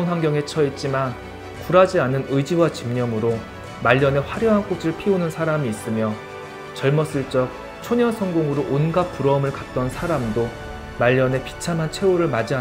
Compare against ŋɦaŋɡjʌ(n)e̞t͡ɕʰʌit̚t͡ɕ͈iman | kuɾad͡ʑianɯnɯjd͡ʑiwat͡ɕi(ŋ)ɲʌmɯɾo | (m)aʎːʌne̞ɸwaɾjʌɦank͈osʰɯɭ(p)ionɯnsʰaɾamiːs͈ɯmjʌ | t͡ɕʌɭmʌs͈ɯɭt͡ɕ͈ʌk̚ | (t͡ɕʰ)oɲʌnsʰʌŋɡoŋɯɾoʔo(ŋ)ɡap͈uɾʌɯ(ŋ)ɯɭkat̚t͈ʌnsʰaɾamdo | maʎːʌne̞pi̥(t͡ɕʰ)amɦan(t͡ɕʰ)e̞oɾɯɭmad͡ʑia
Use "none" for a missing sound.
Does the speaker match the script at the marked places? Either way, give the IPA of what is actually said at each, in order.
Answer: ŋ, m, m, pʰ, t͡ɕʰ, n, m, t͡ɕʰ, t͡ɕʰ

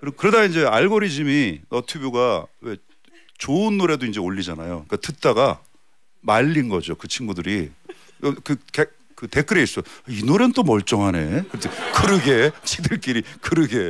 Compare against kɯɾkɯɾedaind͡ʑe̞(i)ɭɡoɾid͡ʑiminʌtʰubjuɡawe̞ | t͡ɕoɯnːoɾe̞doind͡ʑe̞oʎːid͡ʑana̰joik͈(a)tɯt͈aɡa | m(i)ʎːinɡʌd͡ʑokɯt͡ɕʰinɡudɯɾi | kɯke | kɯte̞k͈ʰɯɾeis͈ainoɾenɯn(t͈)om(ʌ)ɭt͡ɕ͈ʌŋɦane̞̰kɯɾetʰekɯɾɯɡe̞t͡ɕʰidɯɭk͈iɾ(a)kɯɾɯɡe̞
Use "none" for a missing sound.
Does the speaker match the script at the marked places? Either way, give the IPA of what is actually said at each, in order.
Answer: a, a, a, t͈, ʌ, i

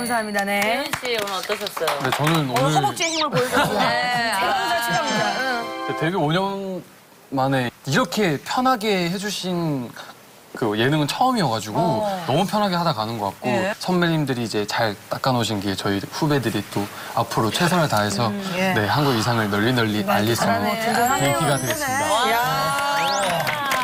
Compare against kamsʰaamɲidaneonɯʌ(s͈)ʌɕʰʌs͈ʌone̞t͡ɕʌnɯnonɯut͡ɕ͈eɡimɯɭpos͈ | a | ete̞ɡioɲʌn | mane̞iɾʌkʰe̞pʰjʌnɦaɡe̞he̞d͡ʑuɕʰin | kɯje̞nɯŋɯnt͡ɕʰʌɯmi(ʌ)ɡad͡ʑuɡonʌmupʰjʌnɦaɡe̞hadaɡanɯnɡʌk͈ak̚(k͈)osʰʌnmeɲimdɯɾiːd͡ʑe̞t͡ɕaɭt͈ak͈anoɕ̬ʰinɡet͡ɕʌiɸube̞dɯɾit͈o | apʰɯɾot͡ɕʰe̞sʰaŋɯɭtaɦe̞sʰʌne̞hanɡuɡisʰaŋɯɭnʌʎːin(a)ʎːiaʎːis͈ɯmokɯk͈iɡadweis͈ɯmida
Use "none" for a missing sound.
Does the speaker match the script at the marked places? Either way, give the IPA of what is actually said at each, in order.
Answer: t͈, ʌ, k͈, ʌ

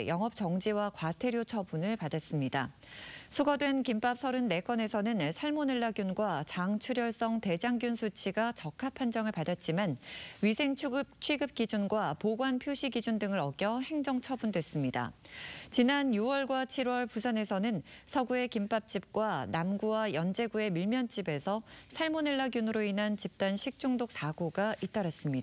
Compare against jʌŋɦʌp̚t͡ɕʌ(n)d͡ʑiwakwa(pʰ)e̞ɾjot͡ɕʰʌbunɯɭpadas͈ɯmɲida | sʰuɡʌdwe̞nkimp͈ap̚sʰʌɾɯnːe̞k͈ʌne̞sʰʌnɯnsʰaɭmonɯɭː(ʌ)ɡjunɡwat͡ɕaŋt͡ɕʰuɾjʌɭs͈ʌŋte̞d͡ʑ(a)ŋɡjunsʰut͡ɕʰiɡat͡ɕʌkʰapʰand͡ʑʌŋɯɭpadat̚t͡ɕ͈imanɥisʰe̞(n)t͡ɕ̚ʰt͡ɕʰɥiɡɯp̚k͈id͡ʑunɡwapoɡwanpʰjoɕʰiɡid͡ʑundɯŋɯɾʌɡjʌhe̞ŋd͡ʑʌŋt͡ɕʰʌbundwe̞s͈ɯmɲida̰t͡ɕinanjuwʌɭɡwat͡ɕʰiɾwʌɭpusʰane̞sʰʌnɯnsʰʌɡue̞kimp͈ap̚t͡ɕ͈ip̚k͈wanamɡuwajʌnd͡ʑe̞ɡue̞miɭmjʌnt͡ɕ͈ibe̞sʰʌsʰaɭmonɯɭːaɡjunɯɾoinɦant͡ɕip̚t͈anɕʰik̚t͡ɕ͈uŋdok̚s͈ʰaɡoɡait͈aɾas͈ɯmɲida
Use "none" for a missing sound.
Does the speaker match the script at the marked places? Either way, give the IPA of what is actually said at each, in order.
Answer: ŋ, tʰ, a, a, ŋ

